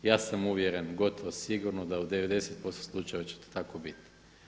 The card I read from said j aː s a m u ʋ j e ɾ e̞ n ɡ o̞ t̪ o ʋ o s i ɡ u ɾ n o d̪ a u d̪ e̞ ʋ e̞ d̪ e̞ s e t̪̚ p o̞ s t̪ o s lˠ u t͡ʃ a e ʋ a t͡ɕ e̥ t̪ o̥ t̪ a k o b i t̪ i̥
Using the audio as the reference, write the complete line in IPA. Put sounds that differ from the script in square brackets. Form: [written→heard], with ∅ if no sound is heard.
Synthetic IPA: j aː s a m u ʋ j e ɾ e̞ n ɡ o̞ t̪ o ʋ o s i ɡ u ɾ n o d̪ a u d̪ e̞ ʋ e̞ d̪ e̞ s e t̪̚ p o̞ s t̪ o s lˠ u t͡ʃ a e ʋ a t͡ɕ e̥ t̪ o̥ t̪ a k o b i t̪ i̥